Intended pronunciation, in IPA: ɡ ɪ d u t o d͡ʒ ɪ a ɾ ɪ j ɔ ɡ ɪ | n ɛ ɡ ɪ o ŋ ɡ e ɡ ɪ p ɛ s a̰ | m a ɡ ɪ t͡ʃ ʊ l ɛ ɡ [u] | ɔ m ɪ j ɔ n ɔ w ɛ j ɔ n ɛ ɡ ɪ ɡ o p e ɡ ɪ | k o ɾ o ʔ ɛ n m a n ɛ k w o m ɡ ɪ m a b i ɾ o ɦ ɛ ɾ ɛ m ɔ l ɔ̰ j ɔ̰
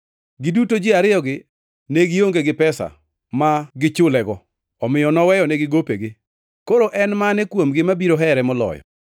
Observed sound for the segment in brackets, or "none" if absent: ɔ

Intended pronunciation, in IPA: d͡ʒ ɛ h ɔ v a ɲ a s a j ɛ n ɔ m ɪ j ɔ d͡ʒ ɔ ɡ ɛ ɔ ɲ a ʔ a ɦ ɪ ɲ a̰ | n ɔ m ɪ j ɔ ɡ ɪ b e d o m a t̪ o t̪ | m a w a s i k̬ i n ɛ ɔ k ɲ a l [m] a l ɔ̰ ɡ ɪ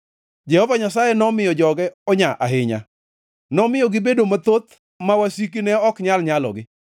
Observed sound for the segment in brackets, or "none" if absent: ɲ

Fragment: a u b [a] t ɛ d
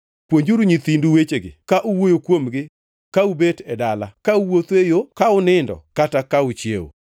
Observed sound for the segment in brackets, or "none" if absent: e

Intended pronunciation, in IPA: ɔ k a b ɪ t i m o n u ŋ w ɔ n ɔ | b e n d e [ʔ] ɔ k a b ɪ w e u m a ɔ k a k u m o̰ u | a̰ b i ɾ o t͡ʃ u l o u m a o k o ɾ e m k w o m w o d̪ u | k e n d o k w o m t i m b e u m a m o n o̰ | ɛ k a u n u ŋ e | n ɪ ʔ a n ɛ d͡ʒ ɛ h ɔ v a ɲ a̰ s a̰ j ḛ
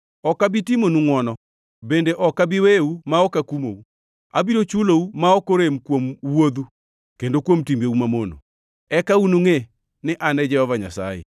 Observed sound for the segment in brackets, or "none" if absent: ʔ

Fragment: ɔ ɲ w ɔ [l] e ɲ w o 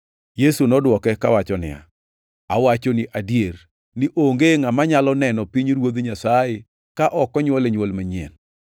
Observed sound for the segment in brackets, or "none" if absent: l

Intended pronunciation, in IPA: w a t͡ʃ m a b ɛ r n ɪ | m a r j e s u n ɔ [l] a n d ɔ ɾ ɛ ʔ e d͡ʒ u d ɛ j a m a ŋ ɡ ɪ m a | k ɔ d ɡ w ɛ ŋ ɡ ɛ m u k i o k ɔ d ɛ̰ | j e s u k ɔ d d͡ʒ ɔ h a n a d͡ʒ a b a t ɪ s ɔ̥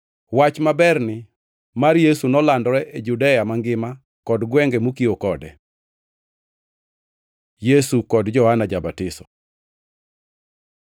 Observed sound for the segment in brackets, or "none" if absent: l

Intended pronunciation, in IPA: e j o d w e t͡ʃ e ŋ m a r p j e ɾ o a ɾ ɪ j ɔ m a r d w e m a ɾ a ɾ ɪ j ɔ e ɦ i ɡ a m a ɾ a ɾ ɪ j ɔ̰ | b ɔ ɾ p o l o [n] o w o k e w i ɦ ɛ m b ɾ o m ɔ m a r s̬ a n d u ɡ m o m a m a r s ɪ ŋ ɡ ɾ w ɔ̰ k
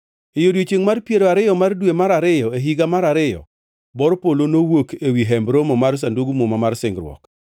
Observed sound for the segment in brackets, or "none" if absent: n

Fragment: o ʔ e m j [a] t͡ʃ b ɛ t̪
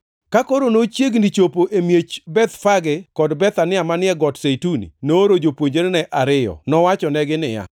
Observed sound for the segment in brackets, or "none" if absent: e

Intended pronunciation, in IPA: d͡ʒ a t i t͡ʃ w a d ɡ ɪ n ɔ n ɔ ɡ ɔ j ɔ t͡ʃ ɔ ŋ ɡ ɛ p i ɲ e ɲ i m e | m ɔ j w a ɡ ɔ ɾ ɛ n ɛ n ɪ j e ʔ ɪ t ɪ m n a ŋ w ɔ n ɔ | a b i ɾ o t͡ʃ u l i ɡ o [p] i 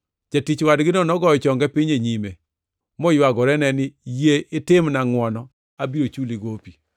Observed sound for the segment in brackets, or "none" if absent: p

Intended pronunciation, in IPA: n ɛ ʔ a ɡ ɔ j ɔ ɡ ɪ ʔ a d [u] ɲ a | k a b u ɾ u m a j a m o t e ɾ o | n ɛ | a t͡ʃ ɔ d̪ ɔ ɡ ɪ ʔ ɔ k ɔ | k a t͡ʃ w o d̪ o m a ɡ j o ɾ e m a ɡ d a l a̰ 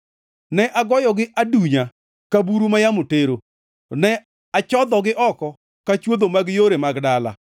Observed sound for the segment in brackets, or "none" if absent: u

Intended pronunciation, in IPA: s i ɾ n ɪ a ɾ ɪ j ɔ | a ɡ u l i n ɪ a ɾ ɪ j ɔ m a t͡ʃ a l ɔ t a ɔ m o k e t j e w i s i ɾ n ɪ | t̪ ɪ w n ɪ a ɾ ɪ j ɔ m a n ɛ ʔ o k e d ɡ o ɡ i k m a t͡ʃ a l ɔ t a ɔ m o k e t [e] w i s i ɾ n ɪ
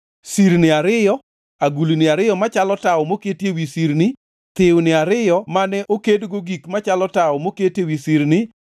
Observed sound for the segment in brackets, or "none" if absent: e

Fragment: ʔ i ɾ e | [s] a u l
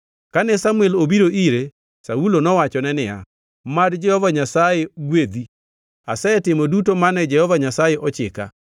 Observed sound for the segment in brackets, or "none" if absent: s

